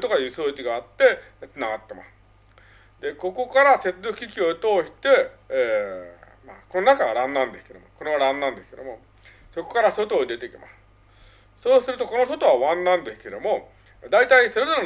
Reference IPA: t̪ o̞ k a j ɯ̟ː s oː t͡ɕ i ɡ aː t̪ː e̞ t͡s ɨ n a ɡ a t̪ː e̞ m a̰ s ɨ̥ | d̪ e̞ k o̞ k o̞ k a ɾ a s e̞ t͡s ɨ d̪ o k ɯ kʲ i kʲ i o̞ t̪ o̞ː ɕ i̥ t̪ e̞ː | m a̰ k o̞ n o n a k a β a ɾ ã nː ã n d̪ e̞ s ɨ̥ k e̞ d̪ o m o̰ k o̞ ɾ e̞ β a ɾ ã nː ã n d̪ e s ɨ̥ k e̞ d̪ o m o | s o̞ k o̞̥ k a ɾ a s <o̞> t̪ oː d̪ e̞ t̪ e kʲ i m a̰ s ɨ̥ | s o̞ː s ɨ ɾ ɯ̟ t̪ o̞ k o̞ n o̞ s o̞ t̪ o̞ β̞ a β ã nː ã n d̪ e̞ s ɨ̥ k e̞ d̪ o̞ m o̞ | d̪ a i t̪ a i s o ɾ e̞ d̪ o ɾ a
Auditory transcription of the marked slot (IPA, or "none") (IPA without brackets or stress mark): o̞